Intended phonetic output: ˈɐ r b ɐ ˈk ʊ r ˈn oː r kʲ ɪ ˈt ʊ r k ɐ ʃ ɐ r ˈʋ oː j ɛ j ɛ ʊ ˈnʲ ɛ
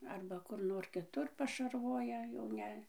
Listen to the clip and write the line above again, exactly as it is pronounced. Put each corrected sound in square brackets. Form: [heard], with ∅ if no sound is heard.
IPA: ˈɐ r b ɐ ˈk ʊ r ˈn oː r kʲ ɪ ˈt ʊ r [p] ɐ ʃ ɐ r ˈʋ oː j ɛ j ɛ ʊ ˈnʲ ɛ

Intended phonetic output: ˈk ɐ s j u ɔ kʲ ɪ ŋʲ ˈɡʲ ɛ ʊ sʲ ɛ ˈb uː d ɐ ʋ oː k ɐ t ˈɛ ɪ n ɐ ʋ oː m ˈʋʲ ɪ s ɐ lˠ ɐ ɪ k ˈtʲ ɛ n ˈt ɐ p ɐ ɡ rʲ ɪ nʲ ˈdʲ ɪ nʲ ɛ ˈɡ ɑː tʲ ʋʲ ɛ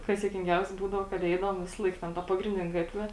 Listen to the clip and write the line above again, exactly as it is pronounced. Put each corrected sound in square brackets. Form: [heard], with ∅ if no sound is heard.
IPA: ˈk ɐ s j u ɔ kʲ ɪ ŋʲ ˈɡʲ ɛ ʊ sʲ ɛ ˈb uː d ɐ ʋ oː k ɐ t ˈɛ ɪ [d] ɐ ʋ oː m ˈʋʲ ɪ s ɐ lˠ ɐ ɪ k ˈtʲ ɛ n ˈt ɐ p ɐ ɡ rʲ ɪ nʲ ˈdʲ ɪ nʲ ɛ ˈɡ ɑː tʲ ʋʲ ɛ

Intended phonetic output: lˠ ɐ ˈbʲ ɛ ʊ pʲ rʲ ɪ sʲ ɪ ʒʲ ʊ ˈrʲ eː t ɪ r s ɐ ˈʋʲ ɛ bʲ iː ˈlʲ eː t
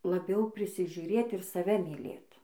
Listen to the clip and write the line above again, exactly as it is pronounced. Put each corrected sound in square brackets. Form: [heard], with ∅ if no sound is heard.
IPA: lˠ ɐ ˈbʲ ɛ ʊ pʲ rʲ ɪ sʲ ɪ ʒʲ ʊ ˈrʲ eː t ɪ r s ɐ ˈʋʲ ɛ [mʲ] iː ˈlʲ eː t

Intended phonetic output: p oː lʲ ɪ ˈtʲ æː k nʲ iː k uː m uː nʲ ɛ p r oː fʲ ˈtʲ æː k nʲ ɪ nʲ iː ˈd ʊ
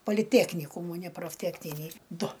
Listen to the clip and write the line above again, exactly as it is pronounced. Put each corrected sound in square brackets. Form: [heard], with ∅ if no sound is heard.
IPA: p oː lʲ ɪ ˈtʲ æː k nʲ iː k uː m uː nʲ ɛ p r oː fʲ ˈtʲ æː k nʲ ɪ nʲ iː ˈd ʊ

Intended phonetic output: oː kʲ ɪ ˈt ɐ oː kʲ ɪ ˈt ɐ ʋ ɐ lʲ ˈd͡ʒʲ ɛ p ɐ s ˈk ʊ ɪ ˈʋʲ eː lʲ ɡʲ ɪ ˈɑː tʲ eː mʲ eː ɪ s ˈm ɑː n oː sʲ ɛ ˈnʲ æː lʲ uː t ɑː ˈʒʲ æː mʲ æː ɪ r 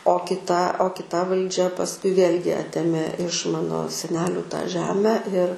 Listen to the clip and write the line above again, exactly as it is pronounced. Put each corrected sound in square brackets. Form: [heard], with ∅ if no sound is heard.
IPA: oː kʲ ɪ ˈt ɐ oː kʲ ɪ ˈt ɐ ʋ ɐ lʲ ˈd͡ʒʲ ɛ p ɐ s ˈk ʊ ɪ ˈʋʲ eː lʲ ɡʲ ɪ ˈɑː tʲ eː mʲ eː ɪ [ʃ] ˈm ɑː n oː sʲ ɛ ˈnʲ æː lʲ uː t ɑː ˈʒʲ æː mʲ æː ɪ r

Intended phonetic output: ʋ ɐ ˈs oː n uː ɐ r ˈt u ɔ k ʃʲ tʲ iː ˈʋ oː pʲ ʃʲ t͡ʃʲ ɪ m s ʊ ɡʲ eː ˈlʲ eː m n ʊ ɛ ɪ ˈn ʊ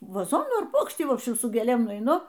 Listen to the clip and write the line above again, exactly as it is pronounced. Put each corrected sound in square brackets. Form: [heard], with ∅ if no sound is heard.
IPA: ʋ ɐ [ˈz] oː n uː ɐ r [ˈp] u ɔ k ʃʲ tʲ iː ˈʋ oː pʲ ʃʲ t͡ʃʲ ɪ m s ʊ ɡʲ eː ˈlʲ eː m n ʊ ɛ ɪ ˈn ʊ

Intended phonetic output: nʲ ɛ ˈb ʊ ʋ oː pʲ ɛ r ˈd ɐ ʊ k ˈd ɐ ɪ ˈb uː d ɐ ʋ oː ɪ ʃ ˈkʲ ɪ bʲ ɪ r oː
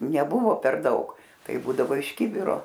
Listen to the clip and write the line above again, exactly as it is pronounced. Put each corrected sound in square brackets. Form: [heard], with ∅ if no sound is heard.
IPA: nʲ ɛ ˈb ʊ ʋ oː pʲ ɛ r ˈd ɐ ʊ k [ˈt] ɐ ɪ ˈb uː d ɐ ʋ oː ɪ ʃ ˈkʲ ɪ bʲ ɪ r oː

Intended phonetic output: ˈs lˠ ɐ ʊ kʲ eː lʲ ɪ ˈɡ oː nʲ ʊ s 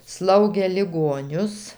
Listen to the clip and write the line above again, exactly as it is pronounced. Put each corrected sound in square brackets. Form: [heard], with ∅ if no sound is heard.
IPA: ˈs lˠ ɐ ʊ [ɡʲ] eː lʲ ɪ ˈɡ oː nʲ ʊ s

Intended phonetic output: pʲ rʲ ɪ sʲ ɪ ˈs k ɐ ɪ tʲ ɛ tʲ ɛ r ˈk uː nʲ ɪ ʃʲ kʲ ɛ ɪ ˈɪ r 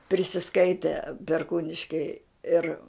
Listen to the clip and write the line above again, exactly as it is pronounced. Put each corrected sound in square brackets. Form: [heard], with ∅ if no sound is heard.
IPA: pʲ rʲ ɪ sʲ ɪ ˈs k ɐ ɪ tʲ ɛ [pʲ] ɛ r ˈk uː nʲ ɪ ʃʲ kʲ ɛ ɪ ˈɪ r

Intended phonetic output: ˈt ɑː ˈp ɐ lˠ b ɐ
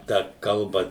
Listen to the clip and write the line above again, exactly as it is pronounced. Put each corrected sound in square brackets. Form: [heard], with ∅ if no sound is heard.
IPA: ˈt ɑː [ˈk] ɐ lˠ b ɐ

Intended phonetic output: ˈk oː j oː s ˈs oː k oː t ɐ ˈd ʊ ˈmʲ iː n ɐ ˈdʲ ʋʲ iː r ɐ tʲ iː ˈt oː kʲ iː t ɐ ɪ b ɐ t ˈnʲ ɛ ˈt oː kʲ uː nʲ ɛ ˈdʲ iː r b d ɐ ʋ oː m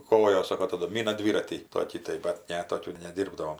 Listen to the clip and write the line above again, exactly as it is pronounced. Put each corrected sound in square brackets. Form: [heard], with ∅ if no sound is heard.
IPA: ˈk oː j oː s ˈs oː k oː t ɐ ˈd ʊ ˈmʲ iː n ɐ ˈdʲ ʋʲ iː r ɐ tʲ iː ˈt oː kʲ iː t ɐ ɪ b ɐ t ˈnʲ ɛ ˈt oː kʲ uː nʲ ɛ ˈdʲ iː r b d ɐ ʋ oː m

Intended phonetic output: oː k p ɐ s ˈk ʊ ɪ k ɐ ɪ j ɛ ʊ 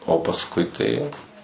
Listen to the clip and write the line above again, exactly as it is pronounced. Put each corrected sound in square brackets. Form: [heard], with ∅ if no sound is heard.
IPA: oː [∅] p ɐ s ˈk ʊ ɪ [t] ɐ ɪ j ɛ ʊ

